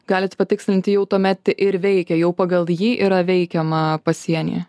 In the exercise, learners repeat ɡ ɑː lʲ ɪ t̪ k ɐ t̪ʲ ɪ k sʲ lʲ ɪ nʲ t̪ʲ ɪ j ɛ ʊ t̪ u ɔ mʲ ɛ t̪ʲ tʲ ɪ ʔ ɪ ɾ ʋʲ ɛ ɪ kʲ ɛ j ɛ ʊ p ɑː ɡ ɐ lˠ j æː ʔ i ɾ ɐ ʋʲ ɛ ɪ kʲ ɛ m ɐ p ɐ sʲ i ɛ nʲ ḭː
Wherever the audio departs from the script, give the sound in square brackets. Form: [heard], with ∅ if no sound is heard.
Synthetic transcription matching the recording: ɡ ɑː lʲ ɪ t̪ [p] ɐ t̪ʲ ɪ k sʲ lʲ ɪ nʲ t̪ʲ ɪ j ɛ ʊ t̪ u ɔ mʲ ɛ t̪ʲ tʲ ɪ ʔ ɪ ɾ ʋʲ ɛ ɪ kʲ ɛ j ɛ ʊ p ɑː ɡ ɐ lˠ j [iː] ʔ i ɾ ɐ ʋʲ ɛ ɪ kʲ ɛ m ɐ p ɐ sʲ i ɛ nʲ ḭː